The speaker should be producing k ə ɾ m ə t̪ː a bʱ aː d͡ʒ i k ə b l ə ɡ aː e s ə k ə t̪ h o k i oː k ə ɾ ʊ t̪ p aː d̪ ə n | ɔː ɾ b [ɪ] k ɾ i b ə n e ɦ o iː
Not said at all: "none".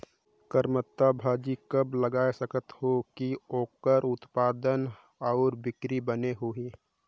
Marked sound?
ɪ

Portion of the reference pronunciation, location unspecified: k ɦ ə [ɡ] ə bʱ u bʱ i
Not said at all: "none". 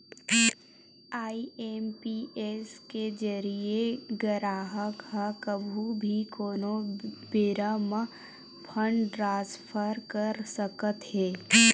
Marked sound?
k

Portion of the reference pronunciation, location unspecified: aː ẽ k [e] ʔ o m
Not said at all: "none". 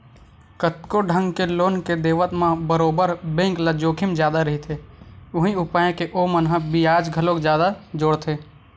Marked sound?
e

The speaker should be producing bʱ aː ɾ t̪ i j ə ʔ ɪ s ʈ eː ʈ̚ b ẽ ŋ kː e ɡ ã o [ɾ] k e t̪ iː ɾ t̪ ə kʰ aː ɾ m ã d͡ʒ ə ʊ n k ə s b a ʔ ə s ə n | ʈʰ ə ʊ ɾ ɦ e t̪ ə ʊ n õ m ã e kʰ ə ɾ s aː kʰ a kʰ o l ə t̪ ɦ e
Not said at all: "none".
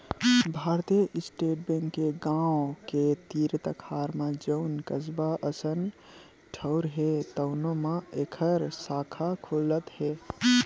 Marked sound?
none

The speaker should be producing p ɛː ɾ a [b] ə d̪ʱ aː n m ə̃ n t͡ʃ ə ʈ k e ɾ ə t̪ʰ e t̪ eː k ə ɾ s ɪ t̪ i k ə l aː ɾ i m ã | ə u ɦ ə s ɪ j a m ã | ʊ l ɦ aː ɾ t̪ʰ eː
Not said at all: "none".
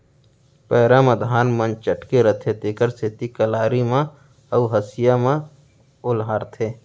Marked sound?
m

